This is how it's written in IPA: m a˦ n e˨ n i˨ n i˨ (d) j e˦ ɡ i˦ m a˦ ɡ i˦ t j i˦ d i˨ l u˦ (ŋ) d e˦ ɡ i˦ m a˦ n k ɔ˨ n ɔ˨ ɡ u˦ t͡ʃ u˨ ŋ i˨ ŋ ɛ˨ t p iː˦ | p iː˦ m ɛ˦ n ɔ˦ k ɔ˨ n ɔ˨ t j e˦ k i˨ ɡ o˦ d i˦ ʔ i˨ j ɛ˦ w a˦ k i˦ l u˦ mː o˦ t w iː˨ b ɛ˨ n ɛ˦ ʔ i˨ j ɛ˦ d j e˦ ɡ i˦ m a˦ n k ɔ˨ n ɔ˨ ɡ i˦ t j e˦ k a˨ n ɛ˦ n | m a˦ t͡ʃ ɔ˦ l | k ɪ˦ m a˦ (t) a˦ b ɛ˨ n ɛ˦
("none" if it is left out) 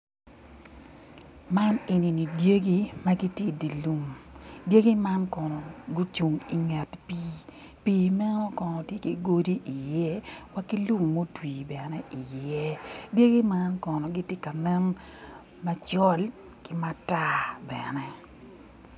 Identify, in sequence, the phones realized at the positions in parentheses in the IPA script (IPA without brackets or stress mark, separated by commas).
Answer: d, m, t